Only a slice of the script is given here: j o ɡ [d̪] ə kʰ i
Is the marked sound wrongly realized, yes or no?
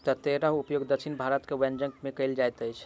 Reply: no